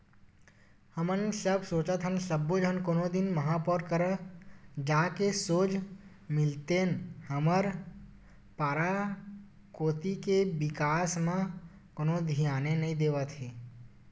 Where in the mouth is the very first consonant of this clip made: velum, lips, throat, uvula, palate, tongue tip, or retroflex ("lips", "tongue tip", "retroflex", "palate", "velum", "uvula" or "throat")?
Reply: throat